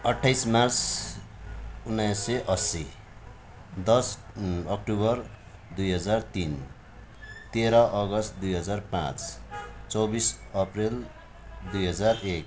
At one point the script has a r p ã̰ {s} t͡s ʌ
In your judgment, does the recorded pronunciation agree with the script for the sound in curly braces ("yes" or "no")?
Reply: no